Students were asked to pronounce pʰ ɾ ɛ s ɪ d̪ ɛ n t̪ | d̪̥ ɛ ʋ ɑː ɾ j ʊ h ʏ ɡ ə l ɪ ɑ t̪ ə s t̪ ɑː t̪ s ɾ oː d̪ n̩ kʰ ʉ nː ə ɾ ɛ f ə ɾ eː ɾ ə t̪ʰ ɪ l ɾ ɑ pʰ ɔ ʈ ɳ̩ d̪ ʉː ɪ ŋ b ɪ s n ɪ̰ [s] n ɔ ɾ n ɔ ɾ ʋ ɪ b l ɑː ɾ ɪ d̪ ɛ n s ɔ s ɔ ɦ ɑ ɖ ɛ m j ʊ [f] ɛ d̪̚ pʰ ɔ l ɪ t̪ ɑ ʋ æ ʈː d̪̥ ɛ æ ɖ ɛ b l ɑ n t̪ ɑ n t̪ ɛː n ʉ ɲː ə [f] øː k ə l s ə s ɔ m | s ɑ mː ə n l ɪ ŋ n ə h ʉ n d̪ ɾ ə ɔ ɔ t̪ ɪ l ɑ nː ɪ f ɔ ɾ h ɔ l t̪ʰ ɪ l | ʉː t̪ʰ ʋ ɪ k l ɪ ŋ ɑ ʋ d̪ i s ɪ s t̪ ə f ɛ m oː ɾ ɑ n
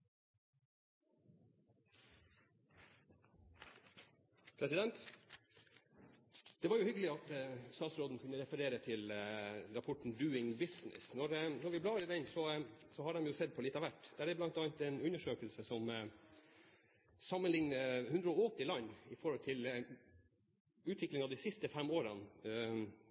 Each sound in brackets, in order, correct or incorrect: correct, incorrect: s, incorrect: ʂ

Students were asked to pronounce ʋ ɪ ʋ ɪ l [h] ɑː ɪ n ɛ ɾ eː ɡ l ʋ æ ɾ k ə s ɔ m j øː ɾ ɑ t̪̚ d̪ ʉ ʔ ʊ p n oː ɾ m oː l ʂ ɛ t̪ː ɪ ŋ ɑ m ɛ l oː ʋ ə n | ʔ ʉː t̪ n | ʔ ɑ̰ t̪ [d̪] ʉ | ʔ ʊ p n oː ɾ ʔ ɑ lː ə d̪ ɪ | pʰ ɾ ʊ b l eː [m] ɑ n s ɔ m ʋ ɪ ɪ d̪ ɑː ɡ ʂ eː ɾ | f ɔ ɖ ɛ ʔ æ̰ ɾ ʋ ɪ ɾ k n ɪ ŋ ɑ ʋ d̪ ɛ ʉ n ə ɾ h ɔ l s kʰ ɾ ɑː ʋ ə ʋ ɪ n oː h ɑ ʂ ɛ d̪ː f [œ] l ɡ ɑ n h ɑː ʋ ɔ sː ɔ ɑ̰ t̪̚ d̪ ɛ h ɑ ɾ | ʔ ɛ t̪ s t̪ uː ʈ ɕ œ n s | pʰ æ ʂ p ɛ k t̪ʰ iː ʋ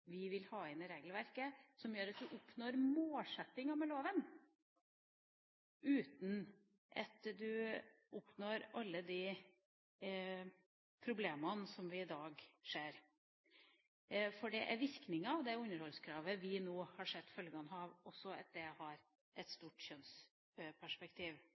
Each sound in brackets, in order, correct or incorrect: correct, correct, correct, correct

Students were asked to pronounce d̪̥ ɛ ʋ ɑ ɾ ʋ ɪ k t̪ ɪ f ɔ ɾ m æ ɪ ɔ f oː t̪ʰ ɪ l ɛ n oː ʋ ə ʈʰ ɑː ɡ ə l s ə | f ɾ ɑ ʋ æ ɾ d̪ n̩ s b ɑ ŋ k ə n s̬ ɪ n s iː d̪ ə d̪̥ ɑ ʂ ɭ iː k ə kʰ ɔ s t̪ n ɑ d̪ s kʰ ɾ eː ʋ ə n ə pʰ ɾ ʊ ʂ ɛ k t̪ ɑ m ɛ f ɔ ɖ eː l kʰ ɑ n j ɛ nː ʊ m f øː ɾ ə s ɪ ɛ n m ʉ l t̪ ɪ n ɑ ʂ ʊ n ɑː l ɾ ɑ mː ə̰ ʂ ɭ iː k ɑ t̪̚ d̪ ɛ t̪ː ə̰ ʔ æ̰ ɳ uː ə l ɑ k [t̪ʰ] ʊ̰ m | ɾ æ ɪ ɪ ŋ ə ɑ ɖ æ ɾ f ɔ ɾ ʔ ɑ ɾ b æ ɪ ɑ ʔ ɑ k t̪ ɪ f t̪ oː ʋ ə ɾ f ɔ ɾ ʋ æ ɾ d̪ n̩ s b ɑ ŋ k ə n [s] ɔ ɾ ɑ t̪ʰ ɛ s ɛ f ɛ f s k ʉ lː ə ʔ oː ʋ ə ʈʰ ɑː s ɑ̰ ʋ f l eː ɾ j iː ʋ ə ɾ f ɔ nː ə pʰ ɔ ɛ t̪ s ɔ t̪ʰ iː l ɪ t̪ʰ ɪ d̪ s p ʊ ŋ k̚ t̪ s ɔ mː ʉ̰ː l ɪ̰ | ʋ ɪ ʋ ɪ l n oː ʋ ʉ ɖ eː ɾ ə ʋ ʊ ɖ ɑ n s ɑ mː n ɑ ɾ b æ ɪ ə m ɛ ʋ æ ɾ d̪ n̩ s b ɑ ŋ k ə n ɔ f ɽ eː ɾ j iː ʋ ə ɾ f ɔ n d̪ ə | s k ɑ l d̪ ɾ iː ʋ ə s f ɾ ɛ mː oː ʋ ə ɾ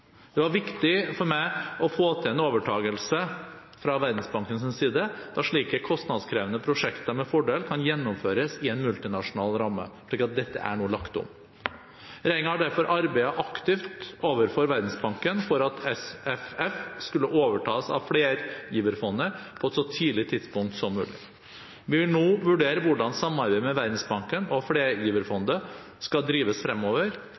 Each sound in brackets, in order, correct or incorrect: incorrect: t̪, incorrect: f

